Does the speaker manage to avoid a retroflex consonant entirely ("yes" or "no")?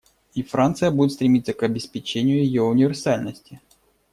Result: yes